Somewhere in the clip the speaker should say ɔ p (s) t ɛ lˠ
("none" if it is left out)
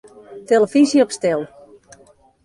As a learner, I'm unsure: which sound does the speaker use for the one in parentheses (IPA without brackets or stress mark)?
s